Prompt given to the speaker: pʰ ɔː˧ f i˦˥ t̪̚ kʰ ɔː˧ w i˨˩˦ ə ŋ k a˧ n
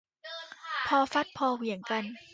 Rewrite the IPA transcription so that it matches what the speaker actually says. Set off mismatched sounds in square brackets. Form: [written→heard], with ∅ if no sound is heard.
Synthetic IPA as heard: pʰ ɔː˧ f [i˦˥→a˦˥] t̪̚ [kʰ→pʰ] ɔː˧ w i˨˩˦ ə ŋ k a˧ n